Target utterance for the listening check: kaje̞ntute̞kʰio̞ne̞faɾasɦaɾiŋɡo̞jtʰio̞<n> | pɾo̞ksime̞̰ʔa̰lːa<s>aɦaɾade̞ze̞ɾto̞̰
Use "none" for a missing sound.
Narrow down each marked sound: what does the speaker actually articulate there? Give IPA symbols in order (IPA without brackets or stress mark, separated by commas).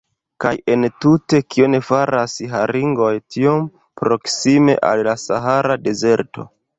m, s